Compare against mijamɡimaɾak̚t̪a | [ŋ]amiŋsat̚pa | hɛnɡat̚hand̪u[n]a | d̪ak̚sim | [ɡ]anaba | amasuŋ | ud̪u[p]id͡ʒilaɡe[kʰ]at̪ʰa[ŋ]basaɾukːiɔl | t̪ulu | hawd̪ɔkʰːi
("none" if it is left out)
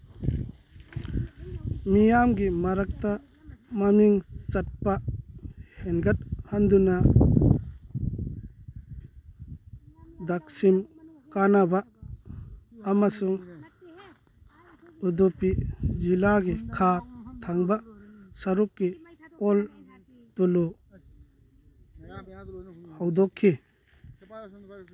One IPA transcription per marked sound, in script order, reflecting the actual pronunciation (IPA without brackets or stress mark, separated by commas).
m, n, k, p, kʰ, ŋ